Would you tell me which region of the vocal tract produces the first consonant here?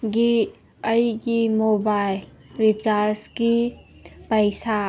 velum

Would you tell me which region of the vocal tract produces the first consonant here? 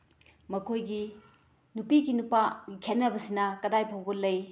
lips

